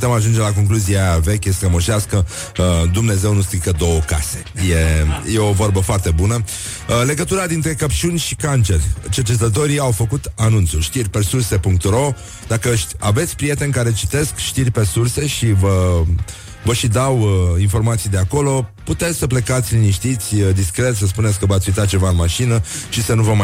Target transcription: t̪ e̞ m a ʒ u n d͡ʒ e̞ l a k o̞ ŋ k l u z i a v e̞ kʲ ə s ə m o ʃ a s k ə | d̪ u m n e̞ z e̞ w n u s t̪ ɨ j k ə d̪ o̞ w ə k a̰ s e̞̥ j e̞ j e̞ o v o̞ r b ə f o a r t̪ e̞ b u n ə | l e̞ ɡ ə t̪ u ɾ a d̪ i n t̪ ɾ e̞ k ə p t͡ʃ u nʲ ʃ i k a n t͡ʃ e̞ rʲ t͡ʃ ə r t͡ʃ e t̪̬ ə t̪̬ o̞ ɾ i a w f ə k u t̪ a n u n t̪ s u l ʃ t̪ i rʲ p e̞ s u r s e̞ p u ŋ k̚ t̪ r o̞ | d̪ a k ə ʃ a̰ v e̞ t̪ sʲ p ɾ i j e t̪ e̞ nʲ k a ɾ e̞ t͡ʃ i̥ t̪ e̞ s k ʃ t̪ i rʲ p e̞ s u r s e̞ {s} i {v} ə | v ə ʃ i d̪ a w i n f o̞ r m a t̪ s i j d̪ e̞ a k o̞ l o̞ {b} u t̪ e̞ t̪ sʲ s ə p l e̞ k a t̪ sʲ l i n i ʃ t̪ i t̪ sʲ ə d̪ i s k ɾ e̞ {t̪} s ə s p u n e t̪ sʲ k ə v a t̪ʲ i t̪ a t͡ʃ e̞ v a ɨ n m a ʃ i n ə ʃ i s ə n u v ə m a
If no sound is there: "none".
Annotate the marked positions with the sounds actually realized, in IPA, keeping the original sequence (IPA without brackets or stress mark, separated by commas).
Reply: ʃ, v, p, t̪